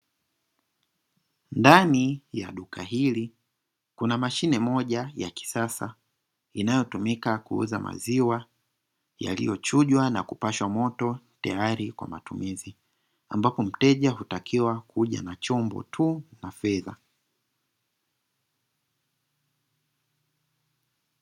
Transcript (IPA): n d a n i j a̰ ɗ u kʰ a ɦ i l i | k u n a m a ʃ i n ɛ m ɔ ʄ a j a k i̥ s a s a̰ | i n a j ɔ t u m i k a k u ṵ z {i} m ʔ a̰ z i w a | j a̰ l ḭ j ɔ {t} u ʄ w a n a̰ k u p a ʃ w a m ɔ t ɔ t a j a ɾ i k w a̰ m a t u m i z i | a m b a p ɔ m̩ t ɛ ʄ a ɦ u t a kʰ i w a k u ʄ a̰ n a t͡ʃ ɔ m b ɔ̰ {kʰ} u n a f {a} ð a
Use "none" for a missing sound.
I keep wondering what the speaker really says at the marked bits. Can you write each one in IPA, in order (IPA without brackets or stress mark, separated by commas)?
a, t͡ʃ, tʰ, ɛ